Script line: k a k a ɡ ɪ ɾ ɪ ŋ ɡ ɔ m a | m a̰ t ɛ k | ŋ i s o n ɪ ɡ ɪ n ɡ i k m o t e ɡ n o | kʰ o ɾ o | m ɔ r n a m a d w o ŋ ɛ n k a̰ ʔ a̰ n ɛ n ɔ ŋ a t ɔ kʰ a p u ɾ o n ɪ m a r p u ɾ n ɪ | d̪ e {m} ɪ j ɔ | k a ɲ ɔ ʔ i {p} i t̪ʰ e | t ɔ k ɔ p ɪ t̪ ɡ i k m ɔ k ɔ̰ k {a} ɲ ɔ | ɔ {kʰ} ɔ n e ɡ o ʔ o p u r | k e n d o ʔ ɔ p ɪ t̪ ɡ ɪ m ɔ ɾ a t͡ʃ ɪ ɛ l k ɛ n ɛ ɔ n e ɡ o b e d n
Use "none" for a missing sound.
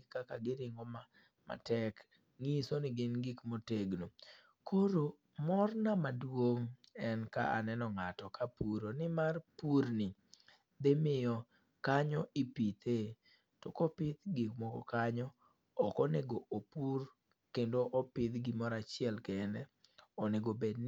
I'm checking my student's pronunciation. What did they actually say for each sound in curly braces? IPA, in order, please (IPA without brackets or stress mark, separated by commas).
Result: m, p, a, k